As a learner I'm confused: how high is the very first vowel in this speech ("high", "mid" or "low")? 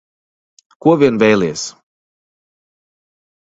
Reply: high